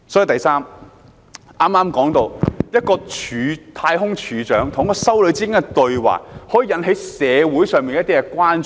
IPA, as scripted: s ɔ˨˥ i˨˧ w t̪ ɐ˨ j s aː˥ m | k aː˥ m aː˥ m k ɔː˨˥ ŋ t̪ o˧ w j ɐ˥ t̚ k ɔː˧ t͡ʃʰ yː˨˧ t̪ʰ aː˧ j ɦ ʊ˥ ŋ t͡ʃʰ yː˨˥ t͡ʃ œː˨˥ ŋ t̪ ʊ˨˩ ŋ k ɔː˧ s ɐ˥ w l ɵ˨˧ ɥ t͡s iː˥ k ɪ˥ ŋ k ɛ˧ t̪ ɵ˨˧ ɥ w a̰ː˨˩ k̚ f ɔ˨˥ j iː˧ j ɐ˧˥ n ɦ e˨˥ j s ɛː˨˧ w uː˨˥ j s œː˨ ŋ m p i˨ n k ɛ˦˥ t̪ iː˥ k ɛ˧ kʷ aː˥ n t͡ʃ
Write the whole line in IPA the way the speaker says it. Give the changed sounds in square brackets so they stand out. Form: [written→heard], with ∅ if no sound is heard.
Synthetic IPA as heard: s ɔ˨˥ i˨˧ w t̪ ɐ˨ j s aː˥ m | [k→ʔ] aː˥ m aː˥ m k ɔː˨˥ ŋ t̪ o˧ w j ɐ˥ t̚ k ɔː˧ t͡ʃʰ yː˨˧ t̪ʰ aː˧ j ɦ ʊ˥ ŋ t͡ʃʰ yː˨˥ t͡ʃ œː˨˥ ŋ [t̪→t̪ʰ] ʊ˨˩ ŋ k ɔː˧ s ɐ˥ w l ɵ˨˧ ɥ t͡s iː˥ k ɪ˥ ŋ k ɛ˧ t̪ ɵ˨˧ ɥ w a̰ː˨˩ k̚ [f→h] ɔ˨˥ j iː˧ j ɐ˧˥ n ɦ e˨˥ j s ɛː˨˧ w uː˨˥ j s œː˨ ŋ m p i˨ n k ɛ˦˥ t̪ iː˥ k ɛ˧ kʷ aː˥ n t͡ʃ